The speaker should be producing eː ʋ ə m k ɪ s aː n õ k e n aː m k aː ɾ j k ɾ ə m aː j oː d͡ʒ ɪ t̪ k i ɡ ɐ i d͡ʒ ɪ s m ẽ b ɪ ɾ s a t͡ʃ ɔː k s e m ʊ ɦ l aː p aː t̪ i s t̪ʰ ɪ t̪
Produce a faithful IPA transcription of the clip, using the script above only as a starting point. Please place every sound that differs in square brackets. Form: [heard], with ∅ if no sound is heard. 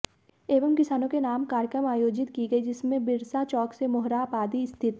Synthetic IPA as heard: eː ʋ ə m k ɪ s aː n õ k e n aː m k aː ɾ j k ɾ ə m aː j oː d͡ʒ ɪ t̪ k i ɡ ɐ i d͡ʒ ɪ s m ẽ b ɪ ɾ s a t͡ʃ ɔː k s e m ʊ ɦ [ɾ] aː p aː [d̪] i s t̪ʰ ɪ t̪